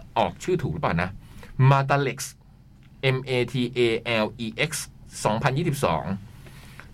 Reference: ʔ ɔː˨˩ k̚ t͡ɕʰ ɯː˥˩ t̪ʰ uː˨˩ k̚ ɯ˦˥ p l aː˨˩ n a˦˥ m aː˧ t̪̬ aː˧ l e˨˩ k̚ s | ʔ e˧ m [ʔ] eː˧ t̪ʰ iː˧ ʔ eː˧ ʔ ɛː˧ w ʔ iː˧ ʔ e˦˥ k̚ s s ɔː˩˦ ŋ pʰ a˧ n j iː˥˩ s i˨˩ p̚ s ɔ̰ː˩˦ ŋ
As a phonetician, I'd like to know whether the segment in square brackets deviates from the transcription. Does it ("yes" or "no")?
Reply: no